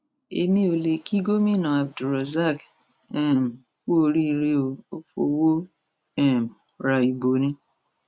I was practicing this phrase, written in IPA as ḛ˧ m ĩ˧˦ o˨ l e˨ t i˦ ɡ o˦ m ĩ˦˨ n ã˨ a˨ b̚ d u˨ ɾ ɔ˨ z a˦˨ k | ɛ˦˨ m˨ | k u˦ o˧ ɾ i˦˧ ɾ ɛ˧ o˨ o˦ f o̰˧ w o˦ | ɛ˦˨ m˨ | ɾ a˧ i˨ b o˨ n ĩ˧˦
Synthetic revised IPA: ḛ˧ m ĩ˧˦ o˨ l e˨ k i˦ ɡ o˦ m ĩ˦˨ n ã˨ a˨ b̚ d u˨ ɾ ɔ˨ z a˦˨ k | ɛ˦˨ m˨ | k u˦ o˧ ɾ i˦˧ ɾ e˧ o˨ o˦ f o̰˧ w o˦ | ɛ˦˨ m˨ | ɾ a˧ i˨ b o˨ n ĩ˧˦